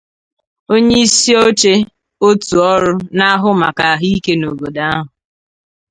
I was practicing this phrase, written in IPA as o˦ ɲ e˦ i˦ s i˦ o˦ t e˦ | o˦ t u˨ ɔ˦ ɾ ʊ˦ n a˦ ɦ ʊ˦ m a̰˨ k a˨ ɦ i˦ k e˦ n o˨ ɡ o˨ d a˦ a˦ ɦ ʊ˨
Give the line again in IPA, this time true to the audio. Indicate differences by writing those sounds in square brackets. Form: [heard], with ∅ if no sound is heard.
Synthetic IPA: o˦ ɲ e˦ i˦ s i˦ o˦ [t͡ʃ] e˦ | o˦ t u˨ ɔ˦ ɾ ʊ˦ n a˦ ɦ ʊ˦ m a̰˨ k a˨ ɦ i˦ k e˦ n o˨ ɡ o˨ d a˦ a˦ ɦ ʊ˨